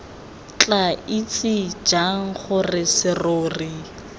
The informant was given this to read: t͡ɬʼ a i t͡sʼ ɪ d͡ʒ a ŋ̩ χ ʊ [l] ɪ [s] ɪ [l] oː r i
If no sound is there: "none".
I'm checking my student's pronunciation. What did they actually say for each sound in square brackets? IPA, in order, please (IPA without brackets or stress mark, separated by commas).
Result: r, s, r